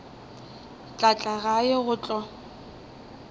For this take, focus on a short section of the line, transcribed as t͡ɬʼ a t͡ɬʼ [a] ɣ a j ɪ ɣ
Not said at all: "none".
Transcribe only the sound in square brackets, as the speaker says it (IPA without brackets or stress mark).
a